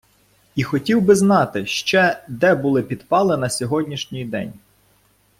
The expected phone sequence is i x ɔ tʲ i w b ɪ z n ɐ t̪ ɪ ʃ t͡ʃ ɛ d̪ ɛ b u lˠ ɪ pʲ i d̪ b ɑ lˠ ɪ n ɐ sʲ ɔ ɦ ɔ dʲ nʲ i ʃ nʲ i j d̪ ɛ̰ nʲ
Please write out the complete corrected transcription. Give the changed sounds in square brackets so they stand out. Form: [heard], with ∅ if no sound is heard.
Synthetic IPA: i x ɔ tʲ i w b ɪ z n [ɑ] t̪ ɪ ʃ t͡ʃ ɛ d̪ ɛ b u lˠ ɪ pʲ i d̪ [p] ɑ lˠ ɪ n ɐ sʲ ɔ ɦ ɔ dʲ nʲ i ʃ nʲ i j d̪ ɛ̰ nʲ